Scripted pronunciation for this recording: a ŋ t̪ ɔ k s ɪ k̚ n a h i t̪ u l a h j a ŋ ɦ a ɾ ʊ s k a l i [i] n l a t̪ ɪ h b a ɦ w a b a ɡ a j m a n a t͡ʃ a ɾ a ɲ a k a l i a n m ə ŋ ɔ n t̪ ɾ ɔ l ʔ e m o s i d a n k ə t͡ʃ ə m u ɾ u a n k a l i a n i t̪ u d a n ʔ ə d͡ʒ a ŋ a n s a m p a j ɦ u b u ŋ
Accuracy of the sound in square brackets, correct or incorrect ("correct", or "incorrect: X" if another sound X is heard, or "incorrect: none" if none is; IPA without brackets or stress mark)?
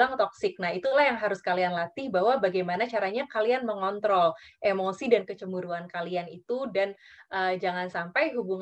incorrect: a